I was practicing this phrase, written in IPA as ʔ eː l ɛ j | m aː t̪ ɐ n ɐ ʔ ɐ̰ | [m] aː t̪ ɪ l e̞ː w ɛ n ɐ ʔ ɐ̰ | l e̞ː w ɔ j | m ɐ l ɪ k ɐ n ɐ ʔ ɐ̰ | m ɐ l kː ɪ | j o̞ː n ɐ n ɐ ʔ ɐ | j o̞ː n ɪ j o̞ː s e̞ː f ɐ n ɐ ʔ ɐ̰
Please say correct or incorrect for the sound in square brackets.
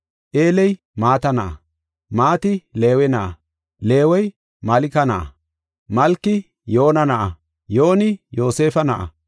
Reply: correct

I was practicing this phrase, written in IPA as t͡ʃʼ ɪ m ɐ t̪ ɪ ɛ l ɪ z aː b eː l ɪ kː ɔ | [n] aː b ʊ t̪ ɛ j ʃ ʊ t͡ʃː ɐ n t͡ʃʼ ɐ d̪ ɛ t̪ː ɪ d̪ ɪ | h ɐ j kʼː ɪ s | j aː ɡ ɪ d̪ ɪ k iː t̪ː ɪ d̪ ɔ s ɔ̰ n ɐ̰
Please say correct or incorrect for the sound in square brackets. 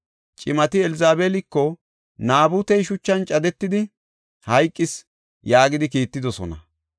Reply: correct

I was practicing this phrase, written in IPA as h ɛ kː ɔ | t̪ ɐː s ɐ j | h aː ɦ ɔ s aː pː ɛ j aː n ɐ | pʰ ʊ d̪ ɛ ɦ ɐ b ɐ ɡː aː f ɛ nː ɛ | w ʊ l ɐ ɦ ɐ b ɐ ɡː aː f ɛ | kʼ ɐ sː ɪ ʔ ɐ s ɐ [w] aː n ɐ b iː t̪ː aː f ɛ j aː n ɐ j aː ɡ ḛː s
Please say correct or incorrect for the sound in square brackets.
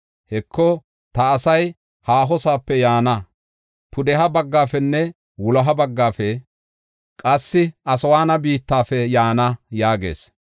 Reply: correct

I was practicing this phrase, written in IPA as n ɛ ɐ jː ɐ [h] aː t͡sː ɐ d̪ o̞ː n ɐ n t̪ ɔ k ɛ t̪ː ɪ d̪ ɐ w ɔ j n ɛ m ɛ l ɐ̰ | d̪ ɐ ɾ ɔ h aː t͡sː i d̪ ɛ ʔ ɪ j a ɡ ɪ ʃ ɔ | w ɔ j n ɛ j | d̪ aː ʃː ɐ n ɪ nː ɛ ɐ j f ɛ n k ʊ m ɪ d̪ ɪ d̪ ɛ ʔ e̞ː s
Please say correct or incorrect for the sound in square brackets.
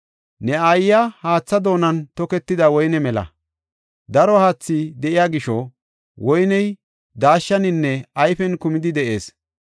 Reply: correct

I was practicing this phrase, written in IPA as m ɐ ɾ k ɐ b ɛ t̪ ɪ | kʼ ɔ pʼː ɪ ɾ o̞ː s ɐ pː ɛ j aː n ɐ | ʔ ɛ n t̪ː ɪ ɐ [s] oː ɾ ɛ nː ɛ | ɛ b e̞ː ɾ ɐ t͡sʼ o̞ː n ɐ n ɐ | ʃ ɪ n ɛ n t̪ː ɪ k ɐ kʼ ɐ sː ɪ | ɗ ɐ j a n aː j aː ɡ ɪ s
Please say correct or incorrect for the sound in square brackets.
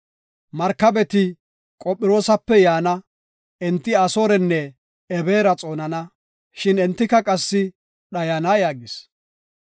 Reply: correct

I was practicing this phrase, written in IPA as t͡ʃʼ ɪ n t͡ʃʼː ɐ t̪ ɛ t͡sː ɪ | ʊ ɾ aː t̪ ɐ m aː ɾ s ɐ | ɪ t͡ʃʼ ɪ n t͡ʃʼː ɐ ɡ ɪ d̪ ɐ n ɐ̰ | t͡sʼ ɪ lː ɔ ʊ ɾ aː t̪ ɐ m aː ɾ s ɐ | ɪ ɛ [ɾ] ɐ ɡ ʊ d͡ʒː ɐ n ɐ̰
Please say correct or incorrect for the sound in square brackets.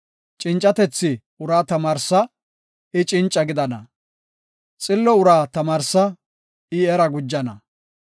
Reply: correct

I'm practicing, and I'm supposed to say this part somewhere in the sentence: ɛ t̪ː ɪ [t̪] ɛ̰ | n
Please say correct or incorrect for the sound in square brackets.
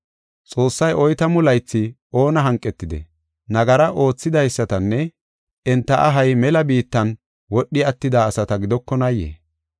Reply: incorrect: d̪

